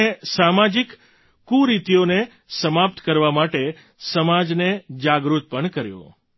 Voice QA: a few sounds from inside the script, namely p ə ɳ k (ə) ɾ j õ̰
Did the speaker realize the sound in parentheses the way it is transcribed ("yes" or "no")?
yes